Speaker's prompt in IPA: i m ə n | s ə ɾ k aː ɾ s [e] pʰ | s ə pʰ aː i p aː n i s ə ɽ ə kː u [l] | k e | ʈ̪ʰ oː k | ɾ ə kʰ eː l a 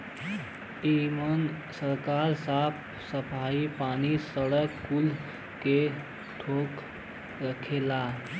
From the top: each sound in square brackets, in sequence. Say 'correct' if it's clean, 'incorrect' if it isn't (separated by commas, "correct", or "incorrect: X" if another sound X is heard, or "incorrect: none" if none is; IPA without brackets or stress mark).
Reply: incorrect: a, correct